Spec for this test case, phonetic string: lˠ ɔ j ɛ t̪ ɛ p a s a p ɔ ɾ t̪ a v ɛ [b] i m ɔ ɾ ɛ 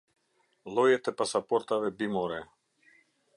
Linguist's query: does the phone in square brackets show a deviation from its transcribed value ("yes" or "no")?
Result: no